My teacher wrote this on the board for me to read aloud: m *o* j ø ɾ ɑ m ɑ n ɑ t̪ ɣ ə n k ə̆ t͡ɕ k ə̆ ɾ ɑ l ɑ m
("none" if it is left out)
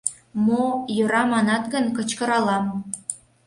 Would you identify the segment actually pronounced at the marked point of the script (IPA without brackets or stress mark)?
o